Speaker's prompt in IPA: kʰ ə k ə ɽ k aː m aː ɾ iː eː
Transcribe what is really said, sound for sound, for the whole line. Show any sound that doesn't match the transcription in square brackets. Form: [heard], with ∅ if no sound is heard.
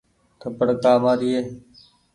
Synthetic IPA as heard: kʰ ə [p] ə ɽ k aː m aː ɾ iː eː